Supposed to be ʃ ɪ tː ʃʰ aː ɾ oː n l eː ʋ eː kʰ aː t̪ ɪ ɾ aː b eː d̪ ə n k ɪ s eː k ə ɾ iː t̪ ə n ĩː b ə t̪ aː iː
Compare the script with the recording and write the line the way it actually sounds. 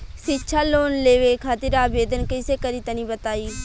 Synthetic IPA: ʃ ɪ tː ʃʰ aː l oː n l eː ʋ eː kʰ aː t̪ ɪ ɾ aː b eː d̪ ə n k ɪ s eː k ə ɾ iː t̪ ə n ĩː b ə t̪ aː iː